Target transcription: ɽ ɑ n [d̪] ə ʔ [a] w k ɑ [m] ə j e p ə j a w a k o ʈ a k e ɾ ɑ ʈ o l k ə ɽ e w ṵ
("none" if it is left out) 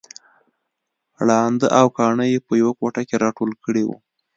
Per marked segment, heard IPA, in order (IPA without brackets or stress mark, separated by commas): d̪, a, ɳ